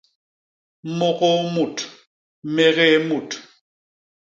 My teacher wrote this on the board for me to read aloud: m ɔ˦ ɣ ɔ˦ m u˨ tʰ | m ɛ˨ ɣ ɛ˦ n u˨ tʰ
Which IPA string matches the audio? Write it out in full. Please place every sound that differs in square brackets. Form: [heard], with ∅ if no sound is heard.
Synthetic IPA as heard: m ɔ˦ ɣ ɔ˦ m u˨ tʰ | m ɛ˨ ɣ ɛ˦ [m] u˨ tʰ